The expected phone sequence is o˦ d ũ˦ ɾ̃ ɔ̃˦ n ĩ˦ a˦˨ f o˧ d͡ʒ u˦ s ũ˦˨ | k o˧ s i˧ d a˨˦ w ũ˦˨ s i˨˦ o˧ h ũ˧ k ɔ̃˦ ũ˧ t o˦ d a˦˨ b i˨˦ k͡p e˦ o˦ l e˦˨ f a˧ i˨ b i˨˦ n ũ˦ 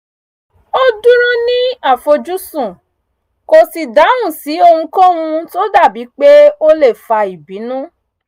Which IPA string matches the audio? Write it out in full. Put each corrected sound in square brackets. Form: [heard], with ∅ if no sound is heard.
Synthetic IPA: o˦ d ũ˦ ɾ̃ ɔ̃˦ n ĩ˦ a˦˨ f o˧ d͡ʒ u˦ s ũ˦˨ | k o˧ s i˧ d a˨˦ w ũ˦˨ s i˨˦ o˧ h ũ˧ k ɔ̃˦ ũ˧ t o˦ d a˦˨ b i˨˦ k͡p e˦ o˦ l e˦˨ f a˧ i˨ b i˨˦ n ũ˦